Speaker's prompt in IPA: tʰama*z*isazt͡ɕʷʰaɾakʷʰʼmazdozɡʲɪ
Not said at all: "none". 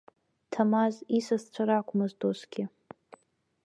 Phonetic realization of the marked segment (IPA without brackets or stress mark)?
z